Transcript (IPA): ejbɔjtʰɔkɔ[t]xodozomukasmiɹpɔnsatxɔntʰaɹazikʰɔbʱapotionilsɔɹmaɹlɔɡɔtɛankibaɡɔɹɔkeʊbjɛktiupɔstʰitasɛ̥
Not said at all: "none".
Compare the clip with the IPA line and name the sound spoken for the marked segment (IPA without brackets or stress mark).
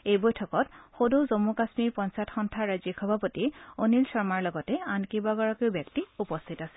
t